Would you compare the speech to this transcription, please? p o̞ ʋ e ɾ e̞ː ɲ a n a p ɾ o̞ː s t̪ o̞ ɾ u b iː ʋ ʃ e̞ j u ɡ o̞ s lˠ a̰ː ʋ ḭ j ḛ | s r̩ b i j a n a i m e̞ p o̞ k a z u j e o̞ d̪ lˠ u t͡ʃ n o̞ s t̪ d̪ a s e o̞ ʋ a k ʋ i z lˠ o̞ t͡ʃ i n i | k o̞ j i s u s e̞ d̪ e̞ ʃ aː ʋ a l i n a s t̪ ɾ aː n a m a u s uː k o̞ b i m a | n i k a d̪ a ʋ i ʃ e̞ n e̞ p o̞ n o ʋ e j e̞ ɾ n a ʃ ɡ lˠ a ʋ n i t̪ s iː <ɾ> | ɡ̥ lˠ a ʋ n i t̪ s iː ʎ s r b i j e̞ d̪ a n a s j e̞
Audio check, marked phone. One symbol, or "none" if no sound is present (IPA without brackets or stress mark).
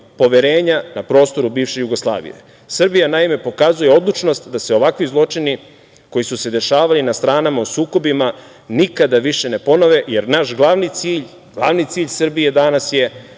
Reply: ʎ